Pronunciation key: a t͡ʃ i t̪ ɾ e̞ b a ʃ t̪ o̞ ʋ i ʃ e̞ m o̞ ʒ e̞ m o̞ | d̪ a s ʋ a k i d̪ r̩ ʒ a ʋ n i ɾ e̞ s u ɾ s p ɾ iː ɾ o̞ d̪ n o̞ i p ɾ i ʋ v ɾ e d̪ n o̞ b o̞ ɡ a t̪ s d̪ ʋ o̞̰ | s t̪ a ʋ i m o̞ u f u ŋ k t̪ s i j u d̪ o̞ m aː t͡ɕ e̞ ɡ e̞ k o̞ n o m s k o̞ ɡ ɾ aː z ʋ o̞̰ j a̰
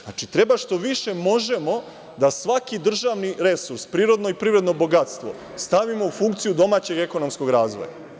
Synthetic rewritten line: a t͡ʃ i t̪ ɾ e̞ b a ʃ t̪ o̞ ʋ i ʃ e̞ m o̞ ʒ e̞ m o̞ | d̪ a s ʋ a k i d̪ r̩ ʒ a ʋ n i ɾ e̞ s u ɾ s p ɾ iː ɾ o̞ d̪ n o̞ i p ɾ i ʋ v ɾ e d̪ n o̞ b o̞ ɡ a t̪ s t̪ ʋ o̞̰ | s t̪ a ʋ i m o̞ u f u ŋ k t̪ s i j u d̪ o̞ m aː t͡ɕ e̞ ɡ e̞ k o̞ n o m s k o̞ ɡ ɾ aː z ʋ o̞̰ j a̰